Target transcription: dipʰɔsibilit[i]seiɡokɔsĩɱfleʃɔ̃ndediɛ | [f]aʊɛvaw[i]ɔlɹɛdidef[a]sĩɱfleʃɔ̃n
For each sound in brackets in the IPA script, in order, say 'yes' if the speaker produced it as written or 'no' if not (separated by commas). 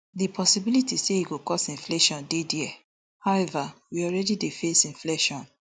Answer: yes, no, yes, no